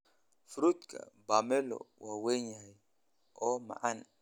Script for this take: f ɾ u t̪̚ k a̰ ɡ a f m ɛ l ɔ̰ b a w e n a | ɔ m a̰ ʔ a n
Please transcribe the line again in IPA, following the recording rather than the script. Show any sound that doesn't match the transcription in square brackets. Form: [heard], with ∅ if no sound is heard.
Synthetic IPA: f ɾ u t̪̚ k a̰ [b] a [∅] m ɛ l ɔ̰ [w] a w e [ɲ] a | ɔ m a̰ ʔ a n